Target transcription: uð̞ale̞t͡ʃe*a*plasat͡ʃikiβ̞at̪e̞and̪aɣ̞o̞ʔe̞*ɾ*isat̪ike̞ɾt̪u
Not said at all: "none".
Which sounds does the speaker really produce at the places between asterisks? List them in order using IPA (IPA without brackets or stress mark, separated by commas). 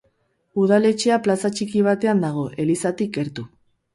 a, l